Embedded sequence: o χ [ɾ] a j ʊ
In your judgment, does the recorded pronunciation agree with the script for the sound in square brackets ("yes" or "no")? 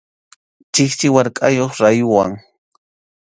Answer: yes